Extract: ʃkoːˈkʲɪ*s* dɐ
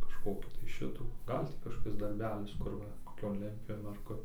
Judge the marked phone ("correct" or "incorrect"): correct